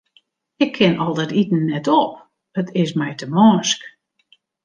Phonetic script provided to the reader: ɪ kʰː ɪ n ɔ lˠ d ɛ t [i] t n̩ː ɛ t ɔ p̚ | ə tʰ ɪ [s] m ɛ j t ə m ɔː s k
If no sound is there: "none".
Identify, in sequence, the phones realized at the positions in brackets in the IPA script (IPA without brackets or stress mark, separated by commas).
i, s